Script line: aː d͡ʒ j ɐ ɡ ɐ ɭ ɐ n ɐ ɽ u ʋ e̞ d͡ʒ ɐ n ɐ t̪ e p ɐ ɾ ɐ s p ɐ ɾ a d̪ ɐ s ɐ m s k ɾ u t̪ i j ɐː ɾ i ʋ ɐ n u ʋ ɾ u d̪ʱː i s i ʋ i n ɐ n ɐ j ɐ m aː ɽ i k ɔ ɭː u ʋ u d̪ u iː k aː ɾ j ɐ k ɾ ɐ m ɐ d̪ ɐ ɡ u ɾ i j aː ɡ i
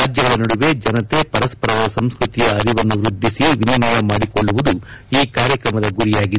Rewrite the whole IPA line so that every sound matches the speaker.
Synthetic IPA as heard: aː d͡ʒ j ɐ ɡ ɐ ɭ ɐ n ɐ ɽ u ʋ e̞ d͡ʒ ɐ n ɐ t̪ e p ɐ ɾ ɐ s p ɐ ɾ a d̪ ɐ s ɐ m s k ɾ u t̪ i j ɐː ɾ i ʋ ɐ nː u ʋ ɾ u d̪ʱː i s i ʋ i n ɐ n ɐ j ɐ m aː ɽ i k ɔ ɭː u ʋ u d̪ u iː k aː ɾ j ɐ k ɾ ɐ m ɐ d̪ ɐ ɡ u ɾ i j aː ɡ i